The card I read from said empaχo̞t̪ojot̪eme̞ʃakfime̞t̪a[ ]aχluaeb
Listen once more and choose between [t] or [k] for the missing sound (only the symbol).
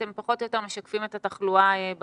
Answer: t